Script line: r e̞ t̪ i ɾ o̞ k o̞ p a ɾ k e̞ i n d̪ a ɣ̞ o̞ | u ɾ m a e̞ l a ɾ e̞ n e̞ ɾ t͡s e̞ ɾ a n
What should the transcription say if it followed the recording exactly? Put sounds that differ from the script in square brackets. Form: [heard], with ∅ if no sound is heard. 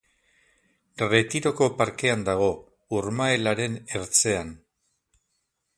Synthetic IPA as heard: r e̞ t̪ i ɾ o̞ k o̞ p a ɾ k e̞ [a] n d̪ a ɣ̞ o̞ | u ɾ m a e̞ l a ɾ e̞ n e̞ ɾ t͡s e̞ [∅] a n